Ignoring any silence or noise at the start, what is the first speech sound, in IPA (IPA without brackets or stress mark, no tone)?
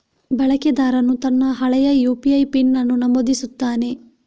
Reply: b